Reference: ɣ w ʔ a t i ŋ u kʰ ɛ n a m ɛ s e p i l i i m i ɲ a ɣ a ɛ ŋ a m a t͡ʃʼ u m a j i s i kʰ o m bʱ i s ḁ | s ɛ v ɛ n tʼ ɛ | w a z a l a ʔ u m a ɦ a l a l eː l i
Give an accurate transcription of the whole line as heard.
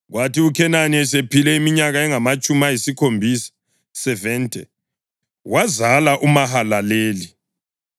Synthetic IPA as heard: ɣ w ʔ a t i u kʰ ɛ n a n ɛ s e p i l ɛ i m i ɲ a ɣ a ɛ ŋ a m a t͡ʃʼ u m a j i s i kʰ o m bʱ i s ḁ | s ɛ v ɛ n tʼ ɛ | w a z a l a ʔ u m a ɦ a l a l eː l i